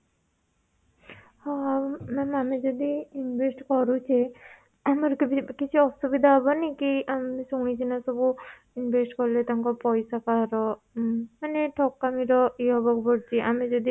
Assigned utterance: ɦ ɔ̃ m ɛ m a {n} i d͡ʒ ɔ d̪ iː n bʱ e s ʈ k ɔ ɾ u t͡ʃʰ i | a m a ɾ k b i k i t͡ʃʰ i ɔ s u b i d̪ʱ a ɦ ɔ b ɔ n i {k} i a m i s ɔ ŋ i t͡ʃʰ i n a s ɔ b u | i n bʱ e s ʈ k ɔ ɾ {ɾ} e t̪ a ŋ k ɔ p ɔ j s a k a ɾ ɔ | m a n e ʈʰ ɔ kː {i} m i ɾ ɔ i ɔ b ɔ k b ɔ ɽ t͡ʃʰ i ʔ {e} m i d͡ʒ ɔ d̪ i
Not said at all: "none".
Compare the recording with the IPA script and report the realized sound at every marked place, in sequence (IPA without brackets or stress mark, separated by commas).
m, k, l, a, a